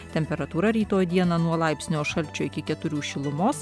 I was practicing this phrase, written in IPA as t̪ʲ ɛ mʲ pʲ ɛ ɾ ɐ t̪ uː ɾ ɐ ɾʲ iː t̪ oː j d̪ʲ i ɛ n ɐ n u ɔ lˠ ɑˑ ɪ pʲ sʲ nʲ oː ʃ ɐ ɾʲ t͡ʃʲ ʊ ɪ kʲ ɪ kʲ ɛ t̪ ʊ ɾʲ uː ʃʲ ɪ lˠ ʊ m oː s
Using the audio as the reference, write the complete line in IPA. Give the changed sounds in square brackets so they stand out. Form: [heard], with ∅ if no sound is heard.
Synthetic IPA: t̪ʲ ɛ mʲ pʲ ɛ ɾ ɐ t̪ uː ɾ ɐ ɾʲ iː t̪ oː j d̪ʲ i ɛ n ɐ n u ɔ lˠ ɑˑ ɪ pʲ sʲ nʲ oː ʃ ɐ [lʲ] t͡ʃʲ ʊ ɪ kʲ ɪ kʲ ɛ t̪ ʊ ɾʲ uː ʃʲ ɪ lˠ ʊ m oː s